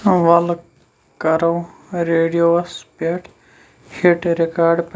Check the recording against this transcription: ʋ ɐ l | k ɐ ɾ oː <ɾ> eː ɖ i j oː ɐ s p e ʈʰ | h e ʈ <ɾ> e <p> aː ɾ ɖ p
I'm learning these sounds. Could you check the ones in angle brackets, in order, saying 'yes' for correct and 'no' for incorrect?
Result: yes, yes, no

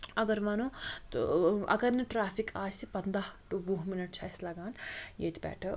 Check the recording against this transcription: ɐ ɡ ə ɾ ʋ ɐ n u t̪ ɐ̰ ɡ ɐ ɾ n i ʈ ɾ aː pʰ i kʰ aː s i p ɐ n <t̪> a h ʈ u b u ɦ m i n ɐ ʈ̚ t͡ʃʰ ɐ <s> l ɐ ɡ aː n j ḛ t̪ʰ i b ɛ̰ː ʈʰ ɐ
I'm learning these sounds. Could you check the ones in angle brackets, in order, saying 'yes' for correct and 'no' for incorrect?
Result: no, yes

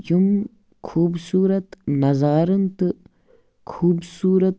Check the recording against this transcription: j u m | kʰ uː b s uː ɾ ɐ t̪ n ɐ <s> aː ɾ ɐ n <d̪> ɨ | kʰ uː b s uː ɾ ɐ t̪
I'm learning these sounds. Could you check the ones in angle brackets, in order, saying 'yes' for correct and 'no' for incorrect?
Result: no, no

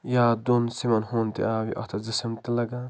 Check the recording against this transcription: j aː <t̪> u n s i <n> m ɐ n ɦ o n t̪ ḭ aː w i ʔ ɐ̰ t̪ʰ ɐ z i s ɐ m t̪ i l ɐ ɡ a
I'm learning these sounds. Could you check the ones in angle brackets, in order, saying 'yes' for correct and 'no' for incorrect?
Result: no, no

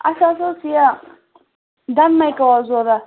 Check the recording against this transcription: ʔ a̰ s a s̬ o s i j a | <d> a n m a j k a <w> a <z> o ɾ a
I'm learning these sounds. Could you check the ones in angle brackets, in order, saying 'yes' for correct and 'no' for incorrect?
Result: yes, yes, yes

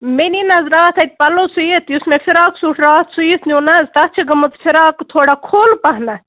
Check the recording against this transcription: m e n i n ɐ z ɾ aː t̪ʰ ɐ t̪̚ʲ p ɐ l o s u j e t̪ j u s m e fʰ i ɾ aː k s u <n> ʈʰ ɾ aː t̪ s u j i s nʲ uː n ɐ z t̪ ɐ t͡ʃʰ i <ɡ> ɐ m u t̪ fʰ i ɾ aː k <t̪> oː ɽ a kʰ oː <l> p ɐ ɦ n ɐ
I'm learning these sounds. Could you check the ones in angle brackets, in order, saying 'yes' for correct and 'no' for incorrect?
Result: no, yes, no, yes

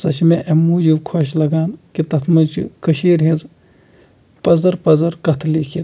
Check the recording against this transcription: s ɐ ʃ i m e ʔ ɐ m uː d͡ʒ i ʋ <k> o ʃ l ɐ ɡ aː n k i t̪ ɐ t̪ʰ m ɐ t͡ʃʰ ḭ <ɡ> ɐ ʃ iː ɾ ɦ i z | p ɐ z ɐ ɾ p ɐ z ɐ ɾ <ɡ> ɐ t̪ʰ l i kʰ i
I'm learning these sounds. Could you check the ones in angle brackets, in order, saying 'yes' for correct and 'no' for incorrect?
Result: no, no, no

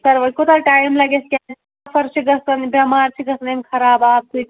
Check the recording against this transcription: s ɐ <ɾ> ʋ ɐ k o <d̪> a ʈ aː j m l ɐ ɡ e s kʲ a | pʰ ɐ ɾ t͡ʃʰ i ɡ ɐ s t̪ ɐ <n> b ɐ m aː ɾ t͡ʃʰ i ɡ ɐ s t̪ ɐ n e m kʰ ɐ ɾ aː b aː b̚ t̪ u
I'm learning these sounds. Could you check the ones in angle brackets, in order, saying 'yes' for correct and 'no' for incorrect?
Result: yes, no, yes

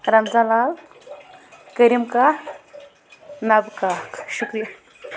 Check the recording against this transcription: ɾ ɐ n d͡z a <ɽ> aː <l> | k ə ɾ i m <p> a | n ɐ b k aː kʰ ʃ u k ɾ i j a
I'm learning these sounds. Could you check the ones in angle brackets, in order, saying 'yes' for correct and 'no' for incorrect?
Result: no, yes, no

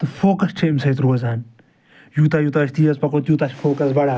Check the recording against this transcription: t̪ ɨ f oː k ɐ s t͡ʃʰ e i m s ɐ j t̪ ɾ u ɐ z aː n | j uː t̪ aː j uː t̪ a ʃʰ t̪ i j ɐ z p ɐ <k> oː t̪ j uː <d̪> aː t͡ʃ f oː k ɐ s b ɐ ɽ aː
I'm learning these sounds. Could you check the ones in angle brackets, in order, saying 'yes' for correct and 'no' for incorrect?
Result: yes, no

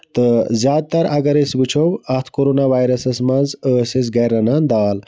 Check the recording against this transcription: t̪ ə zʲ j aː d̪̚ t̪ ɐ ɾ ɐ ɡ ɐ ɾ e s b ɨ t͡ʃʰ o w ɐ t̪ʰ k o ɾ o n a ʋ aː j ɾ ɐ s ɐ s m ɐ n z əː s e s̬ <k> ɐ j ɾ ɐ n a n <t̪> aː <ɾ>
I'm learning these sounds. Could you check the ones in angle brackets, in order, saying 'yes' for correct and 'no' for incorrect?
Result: no, no, no

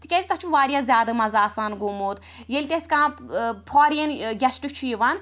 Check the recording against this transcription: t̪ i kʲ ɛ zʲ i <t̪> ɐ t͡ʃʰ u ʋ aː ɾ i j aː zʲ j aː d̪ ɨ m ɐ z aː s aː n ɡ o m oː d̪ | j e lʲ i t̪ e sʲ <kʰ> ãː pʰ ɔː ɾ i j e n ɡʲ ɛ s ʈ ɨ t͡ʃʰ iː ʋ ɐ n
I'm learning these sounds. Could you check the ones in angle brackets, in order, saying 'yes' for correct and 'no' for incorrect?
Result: yes, no

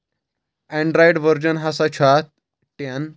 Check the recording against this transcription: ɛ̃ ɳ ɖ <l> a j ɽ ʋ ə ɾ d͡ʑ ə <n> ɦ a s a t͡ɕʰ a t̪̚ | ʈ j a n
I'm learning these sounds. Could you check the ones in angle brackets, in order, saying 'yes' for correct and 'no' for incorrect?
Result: no, yes

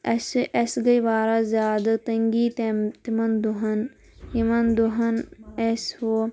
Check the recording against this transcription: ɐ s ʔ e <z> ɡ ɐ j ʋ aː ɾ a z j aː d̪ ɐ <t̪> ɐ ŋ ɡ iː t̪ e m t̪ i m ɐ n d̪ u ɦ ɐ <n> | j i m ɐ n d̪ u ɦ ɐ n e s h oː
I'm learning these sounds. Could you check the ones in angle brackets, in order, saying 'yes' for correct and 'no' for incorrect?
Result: no, yes, yes

